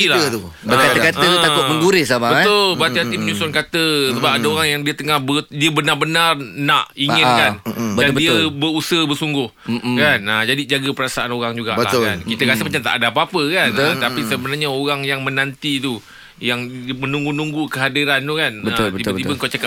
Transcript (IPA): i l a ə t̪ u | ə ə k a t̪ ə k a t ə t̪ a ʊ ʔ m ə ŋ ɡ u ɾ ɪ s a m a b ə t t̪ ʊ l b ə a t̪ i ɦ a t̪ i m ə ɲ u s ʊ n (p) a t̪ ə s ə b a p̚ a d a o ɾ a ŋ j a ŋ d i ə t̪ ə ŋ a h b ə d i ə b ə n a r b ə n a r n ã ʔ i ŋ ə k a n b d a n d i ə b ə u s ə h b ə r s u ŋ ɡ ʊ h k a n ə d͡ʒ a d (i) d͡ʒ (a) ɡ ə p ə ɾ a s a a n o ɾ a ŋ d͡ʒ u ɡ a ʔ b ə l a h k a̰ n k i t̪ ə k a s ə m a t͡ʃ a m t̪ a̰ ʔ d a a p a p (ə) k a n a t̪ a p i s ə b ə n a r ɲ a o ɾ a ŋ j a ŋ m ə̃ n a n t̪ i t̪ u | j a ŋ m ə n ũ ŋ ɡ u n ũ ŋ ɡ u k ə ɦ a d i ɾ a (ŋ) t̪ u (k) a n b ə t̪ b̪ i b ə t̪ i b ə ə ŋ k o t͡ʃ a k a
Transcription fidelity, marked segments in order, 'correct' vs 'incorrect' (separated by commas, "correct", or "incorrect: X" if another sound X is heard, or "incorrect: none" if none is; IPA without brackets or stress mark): incorrect: k, correct, correct, correct, incorrect: n, correct